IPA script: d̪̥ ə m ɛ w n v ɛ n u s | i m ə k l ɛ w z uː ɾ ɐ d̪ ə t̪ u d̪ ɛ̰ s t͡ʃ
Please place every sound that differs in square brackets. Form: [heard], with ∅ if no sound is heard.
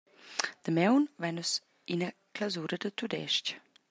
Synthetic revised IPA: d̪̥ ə m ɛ w n v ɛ n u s | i [n] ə k l [a] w z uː ɾ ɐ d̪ ə t̪ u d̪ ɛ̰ [ʃ] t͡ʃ

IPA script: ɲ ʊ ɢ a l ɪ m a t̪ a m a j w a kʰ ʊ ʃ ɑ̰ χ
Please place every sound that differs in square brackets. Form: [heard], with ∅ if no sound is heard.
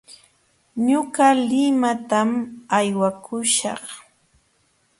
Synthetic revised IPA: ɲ ʊ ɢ a l ɪ m a t̪ a m a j w a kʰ ʊ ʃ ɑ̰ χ

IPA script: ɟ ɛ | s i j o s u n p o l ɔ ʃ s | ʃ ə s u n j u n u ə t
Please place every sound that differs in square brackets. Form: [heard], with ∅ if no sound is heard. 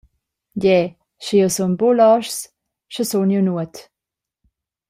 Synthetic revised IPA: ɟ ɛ | [ʃ] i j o s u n [b] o l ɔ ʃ s | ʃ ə s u n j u n u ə t

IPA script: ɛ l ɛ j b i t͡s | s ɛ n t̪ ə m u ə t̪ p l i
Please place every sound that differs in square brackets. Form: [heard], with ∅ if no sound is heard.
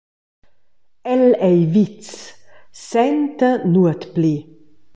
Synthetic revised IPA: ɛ l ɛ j [v] i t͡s | s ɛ n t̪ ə [n] u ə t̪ p l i

